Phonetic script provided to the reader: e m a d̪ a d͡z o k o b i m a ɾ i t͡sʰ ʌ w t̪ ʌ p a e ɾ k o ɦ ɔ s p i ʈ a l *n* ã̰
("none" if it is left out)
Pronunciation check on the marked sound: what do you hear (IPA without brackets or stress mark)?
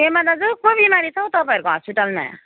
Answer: m